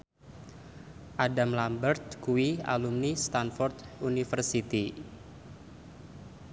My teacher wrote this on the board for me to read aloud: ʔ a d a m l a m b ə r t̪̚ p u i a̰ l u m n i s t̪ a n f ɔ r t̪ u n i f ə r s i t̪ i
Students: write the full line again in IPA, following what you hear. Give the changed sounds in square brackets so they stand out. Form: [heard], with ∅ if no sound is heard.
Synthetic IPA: ʔ a d a m l a m b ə r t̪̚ [k] u i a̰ l u m n i s t̪ a n f ɔ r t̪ u n i f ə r s i t̪ i